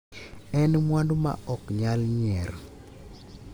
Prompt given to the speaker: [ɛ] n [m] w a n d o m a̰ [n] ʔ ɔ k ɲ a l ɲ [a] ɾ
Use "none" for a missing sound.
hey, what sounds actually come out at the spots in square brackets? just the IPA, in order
ɛ, m, none, ɛ

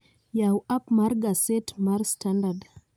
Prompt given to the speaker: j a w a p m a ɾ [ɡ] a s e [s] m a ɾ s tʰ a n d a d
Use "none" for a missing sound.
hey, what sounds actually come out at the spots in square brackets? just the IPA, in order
ɡ, t

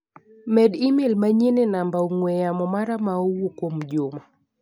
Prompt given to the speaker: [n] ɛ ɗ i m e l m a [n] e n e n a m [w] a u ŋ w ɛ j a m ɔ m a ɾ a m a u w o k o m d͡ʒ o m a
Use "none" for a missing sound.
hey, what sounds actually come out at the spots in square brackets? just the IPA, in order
m, ɲ, b

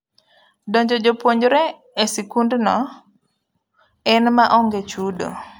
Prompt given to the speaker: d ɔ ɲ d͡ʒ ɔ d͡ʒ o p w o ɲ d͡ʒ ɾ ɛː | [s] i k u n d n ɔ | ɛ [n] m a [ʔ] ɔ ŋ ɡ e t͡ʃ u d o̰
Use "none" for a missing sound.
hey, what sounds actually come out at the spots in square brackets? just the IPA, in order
s, n, ʔ

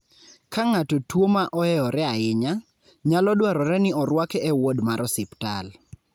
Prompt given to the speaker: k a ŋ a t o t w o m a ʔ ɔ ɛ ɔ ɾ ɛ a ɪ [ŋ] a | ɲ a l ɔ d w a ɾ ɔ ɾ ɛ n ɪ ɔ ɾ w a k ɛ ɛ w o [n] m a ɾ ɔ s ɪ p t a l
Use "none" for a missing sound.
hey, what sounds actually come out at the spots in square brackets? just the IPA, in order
ɲ, d

